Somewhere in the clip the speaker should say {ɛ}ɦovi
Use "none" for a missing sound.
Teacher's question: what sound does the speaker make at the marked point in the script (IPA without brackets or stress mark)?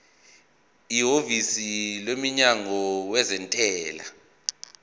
i